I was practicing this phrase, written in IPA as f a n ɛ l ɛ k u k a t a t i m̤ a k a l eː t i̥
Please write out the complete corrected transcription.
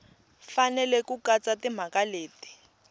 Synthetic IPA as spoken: f a n ɛ l ɛ k u k a t͡s a t i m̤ a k a l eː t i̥